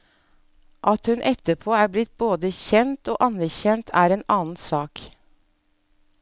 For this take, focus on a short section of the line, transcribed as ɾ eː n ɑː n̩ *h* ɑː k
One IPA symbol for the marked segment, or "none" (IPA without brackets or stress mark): s